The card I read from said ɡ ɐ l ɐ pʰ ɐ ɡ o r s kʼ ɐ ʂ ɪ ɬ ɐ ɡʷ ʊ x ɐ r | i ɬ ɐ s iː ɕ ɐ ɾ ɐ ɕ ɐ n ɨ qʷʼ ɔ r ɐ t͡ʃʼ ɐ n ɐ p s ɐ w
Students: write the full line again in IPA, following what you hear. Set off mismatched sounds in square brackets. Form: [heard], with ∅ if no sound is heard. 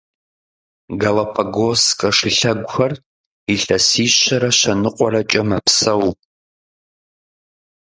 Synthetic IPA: ɡ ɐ l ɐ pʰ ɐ ɡ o [∅] s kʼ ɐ ʂ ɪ ɬ ɐ ɡʷ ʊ x ɐ r | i ɬ ɐ s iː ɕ ɐ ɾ ɐ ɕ ɐ n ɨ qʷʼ ɔ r ɐ t͡ʃʼ ɐ [m] ɐ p s ɐ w